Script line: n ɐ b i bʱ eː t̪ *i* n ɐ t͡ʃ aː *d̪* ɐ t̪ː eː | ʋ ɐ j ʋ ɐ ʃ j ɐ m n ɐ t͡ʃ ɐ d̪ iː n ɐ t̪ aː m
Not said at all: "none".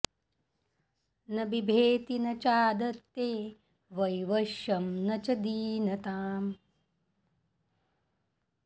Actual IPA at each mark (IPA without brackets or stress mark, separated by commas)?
i, d̪